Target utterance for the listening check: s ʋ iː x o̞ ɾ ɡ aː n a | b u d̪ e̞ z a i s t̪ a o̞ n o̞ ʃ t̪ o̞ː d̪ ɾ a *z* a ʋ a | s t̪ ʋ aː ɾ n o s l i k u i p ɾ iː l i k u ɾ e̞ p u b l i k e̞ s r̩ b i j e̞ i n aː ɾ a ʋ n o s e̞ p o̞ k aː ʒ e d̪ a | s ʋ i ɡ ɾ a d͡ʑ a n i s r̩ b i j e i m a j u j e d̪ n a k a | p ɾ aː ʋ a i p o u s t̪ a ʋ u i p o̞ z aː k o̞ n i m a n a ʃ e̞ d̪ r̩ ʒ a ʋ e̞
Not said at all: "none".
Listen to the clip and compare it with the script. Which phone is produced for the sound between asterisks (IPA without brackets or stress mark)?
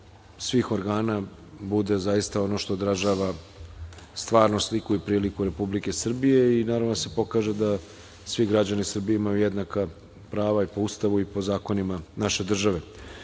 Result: ʒ